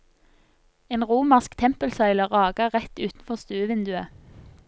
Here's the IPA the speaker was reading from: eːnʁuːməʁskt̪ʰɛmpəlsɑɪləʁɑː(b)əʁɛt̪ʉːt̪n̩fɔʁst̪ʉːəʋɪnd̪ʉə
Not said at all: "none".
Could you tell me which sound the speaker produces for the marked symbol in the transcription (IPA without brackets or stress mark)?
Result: ɡ